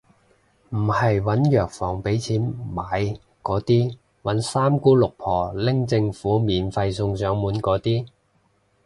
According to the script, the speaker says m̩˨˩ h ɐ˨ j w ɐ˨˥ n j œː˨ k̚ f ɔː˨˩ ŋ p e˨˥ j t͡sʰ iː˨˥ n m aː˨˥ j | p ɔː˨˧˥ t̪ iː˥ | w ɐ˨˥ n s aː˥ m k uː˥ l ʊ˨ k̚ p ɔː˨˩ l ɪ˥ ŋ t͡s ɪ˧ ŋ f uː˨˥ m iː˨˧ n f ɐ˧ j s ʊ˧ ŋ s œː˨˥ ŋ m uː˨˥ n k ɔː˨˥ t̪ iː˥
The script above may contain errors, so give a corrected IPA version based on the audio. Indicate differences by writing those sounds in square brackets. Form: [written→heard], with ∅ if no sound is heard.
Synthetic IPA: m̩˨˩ h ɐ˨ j w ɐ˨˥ n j œː˨ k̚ f ɔː˨˩ ŋ p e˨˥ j t͡sʰ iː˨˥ n m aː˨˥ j | [p→k] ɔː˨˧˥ t̪ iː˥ | w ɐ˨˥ n s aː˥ m k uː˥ l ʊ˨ k̚ [p→pʰ] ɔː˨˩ l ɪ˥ ŋ t͡s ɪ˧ ŋ f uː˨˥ m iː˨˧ n f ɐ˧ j s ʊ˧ ŋ s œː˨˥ ŋ m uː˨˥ n k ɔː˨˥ t̪ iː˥